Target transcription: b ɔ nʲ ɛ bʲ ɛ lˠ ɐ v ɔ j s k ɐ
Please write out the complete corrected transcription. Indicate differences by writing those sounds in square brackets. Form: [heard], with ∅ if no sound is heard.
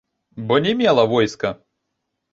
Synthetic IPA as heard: b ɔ nʲ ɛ [mʲ] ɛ lˠ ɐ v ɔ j s k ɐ